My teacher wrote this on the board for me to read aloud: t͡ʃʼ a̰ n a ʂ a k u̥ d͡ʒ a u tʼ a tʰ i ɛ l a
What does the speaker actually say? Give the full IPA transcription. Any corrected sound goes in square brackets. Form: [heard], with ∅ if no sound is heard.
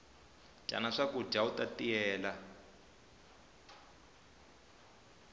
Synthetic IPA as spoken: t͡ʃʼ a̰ n a ʂ a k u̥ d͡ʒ a u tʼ a [t] i [ɛː] l a